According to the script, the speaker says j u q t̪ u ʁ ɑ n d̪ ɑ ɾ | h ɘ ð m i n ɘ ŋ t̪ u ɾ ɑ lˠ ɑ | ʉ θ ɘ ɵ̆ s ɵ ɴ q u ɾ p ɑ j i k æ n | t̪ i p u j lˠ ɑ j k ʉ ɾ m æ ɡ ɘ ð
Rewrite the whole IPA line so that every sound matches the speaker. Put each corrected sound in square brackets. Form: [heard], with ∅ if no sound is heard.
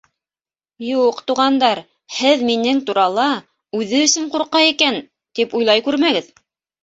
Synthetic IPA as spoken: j u q t̪ u ʁ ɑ n d̪ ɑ ɾ | h ɘ ð m i n ɘ ŋ t̪ u ɾ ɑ lˠ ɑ | ʉ [ð] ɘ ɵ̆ s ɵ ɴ q u ɾ [q] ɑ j i k æ n | t̪ i p u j lˠ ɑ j k ʉ ɾ m æ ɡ ɘ ð

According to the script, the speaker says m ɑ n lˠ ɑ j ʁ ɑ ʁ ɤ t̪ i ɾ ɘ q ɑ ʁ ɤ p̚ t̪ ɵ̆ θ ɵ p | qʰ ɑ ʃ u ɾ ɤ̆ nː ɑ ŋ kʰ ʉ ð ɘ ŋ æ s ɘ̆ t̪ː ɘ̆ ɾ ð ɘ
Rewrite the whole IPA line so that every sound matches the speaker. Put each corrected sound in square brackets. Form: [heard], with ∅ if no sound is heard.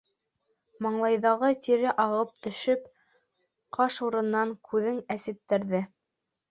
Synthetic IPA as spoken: m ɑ [ɴ] lˠ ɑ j [ð] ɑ ʁ ɤ t̪ i ɾ ɘ [ʔ] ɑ ʁ ɤ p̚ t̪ ɵ̆ [ʃ] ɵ p | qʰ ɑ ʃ u ɾ ɤ̆ nː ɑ ŋ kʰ ʉ ð ɘ ŋ æ s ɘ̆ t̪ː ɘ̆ ɾ ð ɘ

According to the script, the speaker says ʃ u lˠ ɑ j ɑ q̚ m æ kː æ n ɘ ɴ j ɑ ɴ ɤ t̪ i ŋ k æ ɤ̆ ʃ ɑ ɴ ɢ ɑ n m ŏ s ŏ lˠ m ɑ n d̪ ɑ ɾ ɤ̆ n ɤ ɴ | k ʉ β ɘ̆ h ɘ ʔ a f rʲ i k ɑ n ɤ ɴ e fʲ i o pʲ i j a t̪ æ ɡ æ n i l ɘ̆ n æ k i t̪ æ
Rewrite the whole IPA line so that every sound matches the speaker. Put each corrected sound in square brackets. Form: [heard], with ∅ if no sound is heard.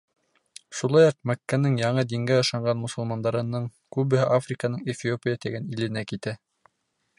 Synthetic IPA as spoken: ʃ u lˠ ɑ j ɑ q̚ m æ kː æ n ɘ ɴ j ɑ ɴ ɤ [d̪] i ŋ [ɡ] æ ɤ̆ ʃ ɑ ɴ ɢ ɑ n m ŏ s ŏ lˠ m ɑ n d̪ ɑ ɾ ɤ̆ n ɤ ɴ | k ʉ β ɘ̆ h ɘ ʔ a f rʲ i k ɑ n ɤ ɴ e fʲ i o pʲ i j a t̪ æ ɡ æ n i l ɘ̆ n æ k i t̪ æ

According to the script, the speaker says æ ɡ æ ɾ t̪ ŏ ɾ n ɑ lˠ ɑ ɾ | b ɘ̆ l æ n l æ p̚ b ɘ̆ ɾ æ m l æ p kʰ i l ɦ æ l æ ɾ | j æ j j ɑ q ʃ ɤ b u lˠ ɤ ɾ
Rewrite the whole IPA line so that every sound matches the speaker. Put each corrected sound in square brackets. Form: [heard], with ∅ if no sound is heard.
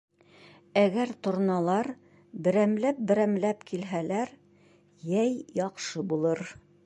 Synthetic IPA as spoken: æ ɡ æ ɾ t̪ ŏ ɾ n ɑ lˠ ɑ ɾ | b ɘ̆ [ɾ] æ [m] l æ p̚ b ɘ̆ ɾ æ m l æ p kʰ i l ɦ æ l æ ɾ | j æ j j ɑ q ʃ ɤ b u lˠ ɤ ɾ

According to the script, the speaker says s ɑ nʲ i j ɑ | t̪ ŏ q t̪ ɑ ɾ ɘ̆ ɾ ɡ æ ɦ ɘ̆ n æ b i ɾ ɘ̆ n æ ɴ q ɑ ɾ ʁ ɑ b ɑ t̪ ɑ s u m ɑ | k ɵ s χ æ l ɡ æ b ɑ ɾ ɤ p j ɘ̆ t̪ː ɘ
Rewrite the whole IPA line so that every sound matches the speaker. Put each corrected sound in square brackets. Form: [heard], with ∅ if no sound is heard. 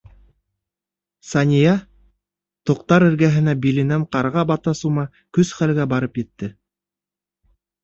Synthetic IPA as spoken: s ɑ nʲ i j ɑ | t̪ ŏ q t̪ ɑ ɾ ɘ̆ ɾ ɡ æ ɦ ɘ̆ n æ b i [l] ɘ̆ n æ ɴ q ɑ ɾ ʁ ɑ b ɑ t̪ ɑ s u m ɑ | k ɵ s χ æ l ɡ æ b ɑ ɾ ɤ p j ɘ̆ t̪ː ɘ

